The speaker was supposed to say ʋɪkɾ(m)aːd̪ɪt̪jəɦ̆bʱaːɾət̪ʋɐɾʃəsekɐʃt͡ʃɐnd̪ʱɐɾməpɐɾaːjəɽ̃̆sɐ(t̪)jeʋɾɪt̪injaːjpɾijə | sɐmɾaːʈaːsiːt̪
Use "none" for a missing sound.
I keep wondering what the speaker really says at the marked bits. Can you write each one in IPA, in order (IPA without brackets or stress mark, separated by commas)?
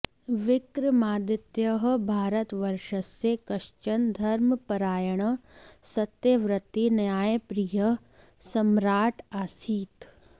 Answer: m, t̪